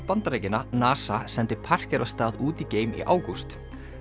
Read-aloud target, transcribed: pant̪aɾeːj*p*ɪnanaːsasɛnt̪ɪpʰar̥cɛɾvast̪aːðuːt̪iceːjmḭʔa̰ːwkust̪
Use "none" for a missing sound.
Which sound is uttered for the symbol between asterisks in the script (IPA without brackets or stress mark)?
c